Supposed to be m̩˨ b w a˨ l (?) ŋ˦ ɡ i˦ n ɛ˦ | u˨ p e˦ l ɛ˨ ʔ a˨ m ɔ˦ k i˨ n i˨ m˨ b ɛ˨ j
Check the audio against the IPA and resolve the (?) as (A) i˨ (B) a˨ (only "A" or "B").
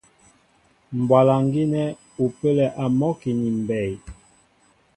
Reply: B